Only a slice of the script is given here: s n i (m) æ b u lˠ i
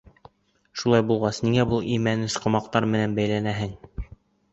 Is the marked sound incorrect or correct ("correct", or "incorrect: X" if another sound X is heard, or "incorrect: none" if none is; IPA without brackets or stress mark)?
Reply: incorrect: ŋ